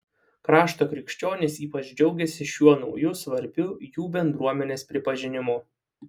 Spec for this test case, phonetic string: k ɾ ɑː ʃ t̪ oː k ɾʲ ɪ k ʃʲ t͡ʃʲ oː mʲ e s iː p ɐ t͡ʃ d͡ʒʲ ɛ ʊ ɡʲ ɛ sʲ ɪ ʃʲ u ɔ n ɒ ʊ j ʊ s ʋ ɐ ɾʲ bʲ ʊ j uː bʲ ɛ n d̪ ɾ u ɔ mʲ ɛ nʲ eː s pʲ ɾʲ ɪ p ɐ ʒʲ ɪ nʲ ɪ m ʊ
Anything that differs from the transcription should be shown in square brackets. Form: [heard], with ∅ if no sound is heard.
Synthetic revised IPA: k ɾ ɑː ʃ t̪ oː k ɾʲ ɪ k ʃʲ t͡ʃʲ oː [nʲ] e s iː p ɐ t͡ʃ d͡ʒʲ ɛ ʊ ɡʲ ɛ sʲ ɪ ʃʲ u ɔ n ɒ ʊ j ʊ s ʋ ɐ ɾʲ bʲ ʊ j uː bʲ ɛ n d̪ ɾ u ɔ mʲ ɛ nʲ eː s pʲ ɾʲ ɪ p ɐ ʒʲ ɪ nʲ ɪ m ʊ